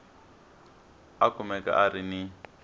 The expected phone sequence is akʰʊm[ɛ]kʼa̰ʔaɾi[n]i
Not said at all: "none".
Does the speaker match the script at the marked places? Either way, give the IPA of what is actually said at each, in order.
ɛ, n

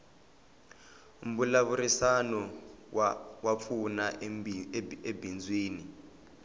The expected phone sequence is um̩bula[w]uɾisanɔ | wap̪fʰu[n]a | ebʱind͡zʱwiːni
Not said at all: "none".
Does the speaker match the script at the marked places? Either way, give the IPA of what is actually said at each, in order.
β, n

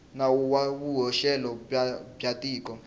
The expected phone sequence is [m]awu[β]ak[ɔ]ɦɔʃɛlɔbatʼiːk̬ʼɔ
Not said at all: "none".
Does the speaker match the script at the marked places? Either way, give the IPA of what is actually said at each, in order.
n, w, u

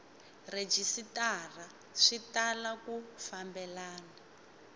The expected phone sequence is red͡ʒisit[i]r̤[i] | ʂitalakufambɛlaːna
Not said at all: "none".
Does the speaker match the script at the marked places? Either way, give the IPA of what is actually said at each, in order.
a, a

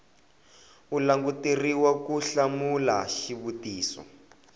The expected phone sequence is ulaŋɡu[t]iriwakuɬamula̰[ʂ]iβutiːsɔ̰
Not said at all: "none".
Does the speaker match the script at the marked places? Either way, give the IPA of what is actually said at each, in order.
t, ʃ

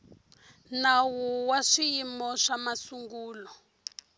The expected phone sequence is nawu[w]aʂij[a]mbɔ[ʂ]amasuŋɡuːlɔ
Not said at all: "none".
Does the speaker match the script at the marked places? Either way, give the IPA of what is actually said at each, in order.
w, i, ʂ

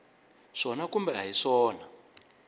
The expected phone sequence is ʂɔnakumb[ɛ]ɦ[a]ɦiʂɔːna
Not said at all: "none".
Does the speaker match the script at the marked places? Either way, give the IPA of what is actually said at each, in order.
ɛ, a

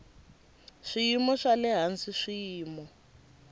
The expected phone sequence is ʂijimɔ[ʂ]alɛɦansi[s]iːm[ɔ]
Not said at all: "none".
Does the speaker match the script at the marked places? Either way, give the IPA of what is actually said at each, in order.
ʂ, ʂ, ɔ

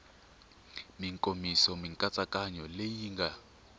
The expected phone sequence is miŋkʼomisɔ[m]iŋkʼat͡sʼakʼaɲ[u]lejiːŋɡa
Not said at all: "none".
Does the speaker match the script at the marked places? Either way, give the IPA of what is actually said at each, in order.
m, ɔ

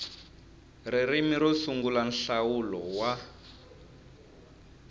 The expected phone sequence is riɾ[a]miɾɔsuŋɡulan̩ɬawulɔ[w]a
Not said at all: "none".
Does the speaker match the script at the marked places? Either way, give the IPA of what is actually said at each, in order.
i, w

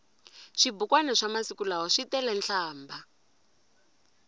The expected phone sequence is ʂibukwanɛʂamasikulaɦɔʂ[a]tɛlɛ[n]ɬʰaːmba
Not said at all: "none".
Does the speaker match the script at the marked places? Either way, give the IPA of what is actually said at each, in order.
i, n

